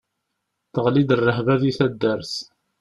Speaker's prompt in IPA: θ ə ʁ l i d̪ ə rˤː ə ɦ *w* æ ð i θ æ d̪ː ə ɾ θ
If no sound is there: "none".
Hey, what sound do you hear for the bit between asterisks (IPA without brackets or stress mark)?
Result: v